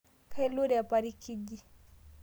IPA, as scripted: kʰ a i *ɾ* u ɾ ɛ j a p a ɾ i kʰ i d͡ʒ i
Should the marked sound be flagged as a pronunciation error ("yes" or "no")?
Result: yes